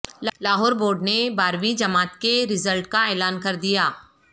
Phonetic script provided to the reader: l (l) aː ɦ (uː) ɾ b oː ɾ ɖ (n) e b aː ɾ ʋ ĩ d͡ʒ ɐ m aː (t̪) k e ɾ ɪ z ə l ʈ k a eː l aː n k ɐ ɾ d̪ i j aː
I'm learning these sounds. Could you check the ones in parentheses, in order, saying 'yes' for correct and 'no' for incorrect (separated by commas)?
yes, no, yes, yes